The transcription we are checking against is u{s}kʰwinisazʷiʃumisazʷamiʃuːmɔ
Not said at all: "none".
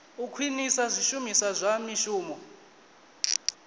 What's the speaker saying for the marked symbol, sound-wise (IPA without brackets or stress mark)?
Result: none